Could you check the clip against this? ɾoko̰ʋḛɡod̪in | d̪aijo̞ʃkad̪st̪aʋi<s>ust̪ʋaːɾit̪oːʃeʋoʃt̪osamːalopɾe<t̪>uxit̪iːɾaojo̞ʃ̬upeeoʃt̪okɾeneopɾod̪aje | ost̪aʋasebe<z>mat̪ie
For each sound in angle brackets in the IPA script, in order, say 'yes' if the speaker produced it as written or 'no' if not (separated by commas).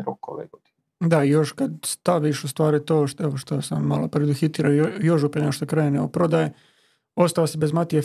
no, no, yes